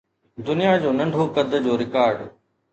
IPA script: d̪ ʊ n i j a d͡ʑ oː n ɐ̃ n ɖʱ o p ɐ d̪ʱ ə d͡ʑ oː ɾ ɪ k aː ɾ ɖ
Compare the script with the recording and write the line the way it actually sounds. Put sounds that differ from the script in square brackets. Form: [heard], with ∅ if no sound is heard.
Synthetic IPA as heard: d̪ ʊ n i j a d͡ʑ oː n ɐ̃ [ɳ] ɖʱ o [k] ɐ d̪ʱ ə d͡ʑ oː ɾ ɪ k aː ɾ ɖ

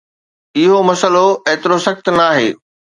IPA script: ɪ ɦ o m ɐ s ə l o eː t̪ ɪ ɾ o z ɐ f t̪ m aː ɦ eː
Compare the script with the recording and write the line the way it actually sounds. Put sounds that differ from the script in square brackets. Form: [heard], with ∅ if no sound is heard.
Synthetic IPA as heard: ɪ ɦ o m ɐ s ə l o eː t̪ ɪ ɾ o [s] ɐ [x] t̪ [n] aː ɦ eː

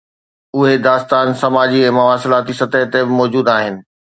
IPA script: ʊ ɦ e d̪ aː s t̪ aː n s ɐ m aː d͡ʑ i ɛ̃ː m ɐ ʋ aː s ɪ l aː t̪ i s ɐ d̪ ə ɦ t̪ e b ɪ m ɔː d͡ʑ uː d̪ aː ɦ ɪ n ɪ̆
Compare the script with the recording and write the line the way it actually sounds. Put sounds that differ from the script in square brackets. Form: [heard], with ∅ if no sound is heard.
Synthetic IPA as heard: ʊ ɦ e d̪ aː s t̪ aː n s ɐ m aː d͡ʑ i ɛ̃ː m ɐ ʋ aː s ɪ l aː t̪ i s ɐ [t̪] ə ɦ t̪ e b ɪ m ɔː d͡ʑ uː d̪ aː ɦ ɪ n ɪ̆

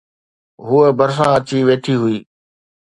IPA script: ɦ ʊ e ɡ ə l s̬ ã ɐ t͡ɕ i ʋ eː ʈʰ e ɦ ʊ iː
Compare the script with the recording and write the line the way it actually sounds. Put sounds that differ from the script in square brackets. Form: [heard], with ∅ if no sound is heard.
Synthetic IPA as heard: ɦ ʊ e [b] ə [ɾ] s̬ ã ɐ t͡ɕ i ʋ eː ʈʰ [i] ɦ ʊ iː

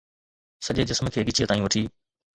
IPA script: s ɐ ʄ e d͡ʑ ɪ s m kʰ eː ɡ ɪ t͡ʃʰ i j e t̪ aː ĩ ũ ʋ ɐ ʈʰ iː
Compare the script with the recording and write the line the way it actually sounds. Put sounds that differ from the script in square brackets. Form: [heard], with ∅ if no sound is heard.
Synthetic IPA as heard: s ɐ ʄ e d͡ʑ ɪ s m kʰ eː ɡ ɪ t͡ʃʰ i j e t̪ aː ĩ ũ ʋ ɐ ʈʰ iː

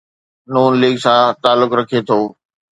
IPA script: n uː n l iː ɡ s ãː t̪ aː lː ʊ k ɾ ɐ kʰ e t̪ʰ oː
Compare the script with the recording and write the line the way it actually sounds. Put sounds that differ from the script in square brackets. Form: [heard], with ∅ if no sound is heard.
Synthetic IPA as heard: n uː n l iː ɡ s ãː t̪ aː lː ʊ k ɾ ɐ kʰ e t̪ʰ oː

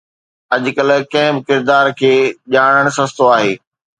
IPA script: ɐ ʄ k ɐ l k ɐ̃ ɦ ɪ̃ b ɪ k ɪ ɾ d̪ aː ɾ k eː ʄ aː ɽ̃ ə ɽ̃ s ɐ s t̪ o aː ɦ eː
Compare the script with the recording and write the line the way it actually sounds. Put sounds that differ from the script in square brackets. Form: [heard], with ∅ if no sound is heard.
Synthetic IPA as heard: ɐ ʄ k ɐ l k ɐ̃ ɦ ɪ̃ b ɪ k ɪ ɾ d̪ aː ɾ [kʰ] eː ʄ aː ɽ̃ ə ɽ̃ s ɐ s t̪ o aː ɦ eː

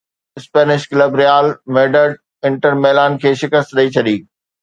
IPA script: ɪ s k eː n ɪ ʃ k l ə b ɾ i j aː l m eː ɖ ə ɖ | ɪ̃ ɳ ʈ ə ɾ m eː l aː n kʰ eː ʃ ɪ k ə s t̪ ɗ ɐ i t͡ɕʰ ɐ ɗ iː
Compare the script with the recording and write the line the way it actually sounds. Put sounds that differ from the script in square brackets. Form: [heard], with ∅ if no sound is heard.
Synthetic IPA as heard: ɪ s [p] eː n ɪ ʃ k l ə b ɾ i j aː l m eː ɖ ə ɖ | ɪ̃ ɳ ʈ ə ɾ m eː l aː n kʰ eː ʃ ɪ k ə s t̪ ɗ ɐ i t͡ɕʰ ɐ ɗ iː

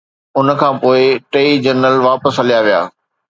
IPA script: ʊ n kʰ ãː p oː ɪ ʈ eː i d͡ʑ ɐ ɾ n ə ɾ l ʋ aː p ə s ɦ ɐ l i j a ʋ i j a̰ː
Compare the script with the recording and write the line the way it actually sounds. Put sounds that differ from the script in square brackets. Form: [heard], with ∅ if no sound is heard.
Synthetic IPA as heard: ʊ n kʰ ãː p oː ɪ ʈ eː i d͡ʑ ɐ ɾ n ə [∅] l ʋ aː p ə s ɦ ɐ l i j a ʋ i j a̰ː

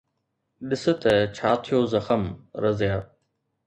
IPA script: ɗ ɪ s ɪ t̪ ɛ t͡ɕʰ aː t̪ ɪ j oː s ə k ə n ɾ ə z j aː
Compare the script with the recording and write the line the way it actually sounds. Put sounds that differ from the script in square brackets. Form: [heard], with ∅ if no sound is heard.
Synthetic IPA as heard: ɗ ɪ s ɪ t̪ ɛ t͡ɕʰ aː [t̪ʰ] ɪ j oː [z] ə [x] ə [m] ɾ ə z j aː

